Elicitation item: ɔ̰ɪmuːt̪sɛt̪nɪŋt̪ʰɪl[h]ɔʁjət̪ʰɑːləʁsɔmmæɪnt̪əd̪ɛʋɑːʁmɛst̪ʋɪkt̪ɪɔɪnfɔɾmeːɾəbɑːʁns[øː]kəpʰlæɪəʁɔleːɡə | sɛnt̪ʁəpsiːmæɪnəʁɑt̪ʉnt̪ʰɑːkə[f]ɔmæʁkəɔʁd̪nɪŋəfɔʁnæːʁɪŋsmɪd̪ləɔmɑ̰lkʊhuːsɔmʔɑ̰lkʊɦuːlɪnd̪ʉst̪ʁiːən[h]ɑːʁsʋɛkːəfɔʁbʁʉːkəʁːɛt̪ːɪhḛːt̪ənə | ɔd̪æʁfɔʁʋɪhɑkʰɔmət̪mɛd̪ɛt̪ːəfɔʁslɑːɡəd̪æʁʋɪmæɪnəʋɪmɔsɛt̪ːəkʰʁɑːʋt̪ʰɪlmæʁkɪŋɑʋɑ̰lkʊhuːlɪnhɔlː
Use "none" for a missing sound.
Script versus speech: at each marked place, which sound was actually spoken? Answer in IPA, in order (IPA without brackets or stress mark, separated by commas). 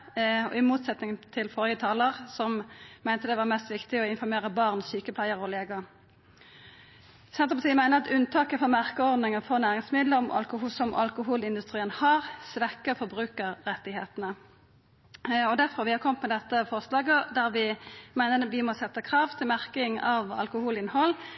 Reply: f, yː, f, h